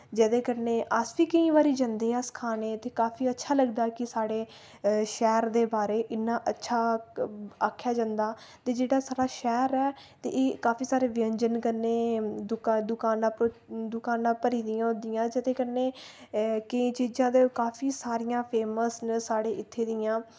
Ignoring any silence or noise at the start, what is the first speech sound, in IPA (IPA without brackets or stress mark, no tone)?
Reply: d͡ʒ